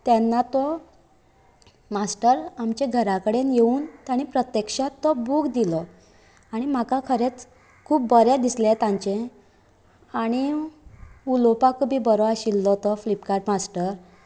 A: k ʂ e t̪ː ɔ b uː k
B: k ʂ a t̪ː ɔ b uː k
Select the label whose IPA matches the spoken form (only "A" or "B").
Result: B